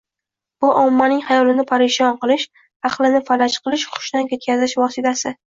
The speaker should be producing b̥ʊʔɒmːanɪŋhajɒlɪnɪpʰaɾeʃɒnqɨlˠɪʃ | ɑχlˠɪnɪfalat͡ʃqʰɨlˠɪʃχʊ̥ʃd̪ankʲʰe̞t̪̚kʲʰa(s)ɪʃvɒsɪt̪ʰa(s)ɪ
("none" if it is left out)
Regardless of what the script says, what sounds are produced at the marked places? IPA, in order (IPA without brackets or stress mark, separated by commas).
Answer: z, s